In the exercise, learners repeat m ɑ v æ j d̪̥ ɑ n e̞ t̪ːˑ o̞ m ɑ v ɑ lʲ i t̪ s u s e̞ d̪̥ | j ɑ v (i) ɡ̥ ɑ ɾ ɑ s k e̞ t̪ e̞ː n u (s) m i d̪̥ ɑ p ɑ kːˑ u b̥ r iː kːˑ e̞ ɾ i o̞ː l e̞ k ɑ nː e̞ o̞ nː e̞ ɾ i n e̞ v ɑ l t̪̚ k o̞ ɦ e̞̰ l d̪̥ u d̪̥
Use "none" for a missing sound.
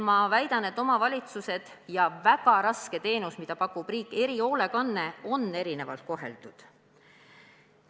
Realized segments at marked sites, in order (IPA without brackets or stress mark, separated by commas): æ, s